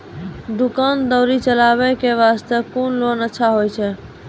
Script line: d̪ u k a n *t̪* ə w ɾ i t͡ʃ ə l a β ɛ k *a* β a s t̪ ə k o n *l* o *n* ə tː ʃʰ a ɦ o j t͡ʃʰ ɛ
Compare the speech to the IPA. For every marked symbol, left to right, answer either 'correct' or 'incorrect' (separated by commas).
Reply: incorrect, incorrect, correct, correct